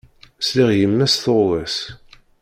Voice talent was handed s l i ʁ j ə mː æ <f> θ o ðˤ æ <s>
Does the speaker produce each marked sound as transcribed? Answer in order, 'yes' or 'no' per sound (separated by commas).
no, yes